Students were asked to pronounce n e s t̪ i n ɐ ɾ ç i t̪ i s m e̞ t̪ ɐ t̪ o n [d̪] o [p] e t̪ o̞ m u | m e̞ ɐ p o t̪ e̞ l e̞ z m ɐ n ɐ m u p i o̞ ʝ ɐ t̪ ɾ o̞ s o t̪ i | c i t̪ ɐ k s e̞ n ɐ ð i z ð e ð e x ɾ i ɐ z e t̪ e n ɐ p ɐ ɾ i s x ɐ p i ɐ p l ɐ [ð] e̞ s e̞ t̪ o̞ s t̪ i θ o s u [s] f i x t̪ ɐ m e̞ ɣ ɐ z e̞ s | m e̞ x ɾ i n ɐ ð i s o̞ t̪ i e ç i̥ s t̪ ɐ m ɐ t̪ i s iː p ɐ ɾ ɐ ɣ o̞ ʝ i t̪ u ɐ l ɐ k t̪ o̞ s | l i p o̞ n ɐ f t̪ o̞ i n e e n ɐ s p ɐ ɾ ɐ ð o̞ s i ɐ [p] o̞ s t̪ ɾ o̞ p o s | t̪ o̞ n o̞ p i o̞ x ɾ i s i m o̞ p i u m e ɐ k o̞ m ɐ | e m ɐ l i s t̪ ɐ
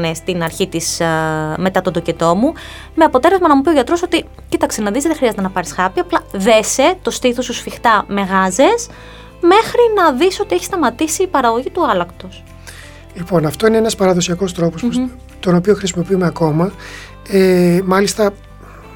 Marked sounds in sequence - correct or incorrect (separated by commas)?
correct, incorrect, correct, correct, incorrect